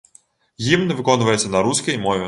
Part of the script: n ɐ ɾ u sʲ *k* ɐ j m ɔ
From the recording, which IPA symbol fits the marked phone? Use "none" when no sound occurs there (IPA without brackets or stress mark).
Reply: k